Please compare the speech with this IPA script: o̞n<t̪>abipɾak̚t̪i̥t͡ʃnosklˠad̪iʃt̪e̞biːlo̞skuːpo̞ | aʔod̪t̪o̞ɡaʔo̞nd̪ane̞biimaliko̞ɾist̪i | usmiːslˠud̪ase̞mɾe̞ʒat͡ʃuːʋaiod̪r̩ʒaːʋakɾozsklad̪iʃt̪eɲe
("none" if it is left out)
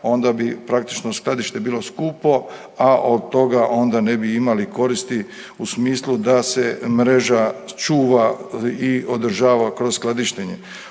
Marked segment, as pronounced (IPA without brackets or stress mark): d̪